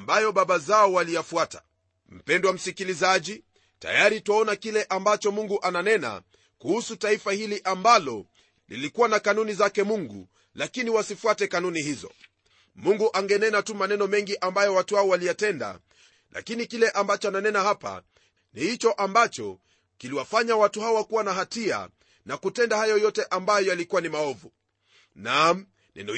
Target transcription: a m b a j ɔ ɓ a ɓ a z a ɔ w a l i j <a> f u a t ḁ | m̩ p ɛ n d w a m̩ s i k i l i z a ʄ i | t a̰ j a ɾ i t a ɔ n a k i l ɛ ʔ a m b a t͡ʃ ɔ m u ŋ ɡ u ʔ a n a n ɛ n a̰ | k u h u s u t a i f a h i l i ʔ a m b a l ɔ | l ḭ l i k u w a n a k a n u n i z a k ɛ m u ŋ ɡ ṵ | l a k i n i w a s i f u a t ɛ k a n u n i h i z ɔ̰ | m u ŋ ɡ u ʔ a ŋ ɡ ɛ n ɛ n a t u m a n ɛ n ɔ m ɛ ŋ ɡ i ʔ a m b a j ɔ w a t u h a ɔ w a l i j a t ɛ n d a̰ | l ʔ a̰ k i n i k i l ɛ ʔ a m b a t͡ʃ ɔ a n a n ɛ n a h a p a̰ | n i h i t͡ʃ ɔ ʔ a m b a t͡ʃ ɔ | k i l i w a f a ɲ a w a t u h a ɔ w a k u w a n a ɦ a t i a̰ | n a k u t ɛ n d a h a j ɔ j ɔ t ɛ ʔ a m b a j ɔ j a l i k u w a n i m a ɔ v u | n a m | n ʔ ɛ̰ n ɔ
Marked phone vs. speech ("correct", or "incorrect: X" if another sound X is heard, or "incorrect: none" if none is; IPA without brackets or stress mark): correct